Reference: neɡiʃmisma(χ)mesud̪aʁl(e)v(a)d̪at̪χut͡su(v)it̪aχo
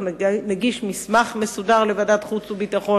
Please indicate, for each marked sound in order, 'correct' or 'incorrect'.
correct, correct, correct, incorrect: b

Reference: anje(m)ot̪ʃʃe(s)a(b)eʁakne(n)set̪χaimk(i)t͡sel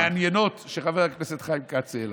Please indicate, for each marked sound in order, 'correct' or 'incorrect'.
incorrect: n, incorrect: χ, incorrect: v, incorrect: none, incorrect: a

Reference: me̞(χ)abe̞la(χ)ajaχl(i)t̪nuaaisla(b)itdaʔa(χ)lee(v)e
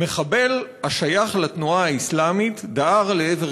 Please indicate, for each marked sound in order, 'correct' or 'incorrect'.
correct, incorrect: ʃ, incorrect: a, incorrect: m, incorrect: ʁ, correct

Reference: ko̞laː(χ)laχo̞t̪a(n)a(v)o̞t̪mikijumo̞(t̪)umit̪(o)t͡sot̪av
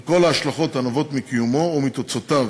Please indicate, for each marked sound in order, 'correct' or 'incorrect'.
incorrect: ʃ, correct, correct, incorrect: none, correct

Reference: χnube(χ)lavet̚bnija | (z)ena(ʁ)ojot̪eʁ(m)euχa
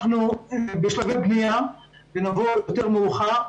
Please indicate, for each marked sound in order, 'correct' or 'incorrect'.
incorrect: ʃ, incorrect: v, incorrect: v, correct

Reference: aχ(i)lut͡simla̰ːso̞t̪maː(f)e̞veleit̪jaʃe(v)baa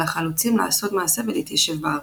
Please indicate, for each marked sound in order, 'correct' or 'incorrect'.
incorrect: a, incorrect: s, correct

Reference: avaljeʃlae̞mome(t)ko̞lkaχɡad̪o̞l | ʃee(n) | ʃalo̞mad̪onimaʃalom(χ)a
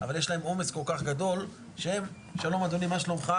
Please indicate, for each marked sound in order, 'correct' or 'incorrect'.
incorrect: s, incorrect: m, correct

